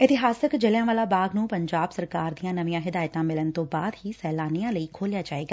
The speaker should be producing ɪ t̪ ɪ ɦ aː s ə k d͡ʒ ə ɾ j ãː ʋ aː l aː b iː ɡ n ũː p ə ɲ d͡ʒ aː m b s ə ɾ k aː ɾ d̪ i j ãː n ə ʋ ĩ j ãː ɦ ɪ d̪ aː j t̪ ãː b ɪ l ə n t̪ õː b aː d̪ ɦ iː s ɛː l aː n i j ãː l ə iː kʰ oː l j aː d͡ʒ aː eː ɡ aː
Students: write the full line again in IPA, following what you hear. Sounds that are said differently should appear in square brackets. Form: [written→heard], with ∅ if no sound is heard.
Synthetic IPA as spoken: ɪ t̪ ɪ ɦ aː s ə k d͡ʒ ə [ɾ→l] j ãː ʋ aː l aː b [iː→aː] ɡ n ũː p ə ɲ d͡ʒ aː [m→∅] b s ə ɾ k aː ɾ d̪ i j ãː n ə ʋ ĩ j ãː ɦ ɪ d̪ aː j t̪ ãː [b→m] ɪ l ə n t̪ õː b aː d̪ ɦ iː s ɛː l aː n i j ãː l ə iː kʰ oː l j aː d͡ʒ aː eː ɡ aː